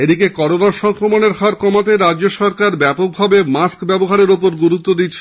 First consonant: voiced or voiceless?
voiced